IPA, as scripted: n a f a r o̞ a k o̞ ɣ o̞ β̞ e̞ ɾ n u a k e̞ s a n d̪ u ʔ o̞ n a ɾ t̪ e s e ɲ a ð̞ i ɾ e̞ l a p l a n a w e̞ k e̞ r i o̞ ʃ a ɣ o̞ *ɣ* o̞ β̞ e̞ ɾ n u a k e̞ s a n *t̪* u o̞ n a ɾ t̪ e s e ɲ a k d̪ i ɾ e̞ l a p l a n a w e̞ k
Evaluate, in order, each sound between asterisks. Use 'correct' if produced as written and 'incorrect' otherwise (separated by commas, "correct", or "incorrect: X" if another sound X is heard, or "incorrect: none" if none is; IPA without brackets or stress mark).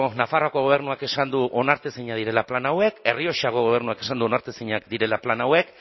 correct, incorrect: d̪